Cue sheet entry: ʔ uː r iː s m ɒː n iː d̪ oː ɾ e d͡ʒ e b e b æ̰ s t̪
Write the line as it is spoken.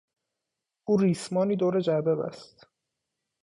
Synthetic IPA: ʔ uː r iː s m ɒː n iː d̪ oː ɾ e d͡ʒ æ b e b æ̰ s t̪